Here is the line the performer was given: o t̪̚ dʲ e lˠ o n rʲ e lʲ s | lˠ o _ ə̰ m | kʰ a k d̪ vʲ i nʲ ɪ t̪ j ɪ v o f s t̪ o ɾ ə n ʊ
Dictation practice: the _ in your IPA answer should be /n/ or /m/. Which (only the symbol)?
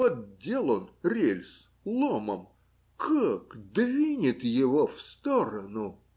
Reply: m